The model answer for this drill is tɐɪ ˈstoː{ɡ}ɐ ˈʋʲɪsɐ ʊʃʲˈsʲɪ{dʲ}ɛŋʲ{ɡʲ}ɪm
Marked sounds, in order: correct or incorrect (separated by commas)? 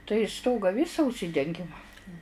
correct, correct, correct